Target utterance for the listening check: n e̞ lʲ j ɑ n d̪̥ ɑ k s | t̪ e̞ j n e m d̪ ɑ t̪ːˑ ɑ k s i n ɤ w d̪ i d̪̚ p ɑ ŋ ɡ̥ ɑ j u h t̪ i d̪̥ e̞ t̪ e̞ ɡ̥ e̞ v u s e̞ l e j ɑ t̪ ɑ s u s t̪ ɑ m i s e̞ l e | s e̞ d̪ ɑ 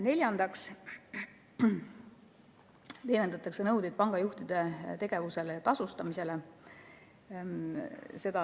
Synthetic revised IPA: n e̞ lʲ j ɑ n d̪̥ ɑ k s | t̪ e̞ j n e n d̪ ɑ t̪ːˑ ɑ k s e n ɤ w d̪ i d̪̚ p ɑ ŋ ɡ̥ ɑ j u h t̪ i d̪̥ e̞ t̪ e̞ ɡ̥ e̞ v u s e̞ l e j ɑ t̪ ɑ s u s t̪ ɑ m i s e̞ l e | s e̞ d̪ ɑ